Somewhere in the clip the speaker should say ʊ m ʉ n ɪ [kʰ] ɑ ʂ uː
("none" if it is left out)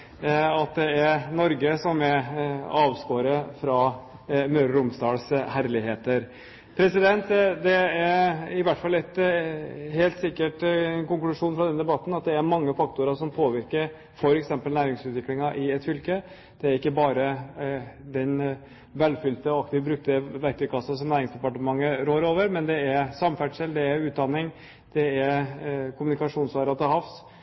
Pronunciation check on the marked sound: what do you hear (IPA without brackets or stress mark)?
k